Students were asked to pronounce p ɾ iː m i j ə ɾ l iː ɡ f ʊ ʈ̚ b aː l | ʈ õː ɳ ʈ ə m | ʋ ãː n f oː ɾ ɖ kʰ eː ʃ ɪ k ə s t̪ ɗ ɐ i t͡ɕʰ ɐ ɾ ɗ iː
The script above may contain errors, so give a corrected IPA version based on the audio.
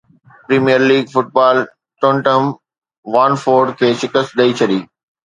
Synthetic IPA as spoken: p ɾ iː m i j ə ɾ l iː ɡ f ʊ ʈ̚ b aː l | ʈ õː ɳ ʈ ə m | ʋ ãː n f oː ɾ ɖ kʰ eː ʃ ɪ k ə s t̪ ɗ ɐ i t͡ɕʰ ɐ ɗ iː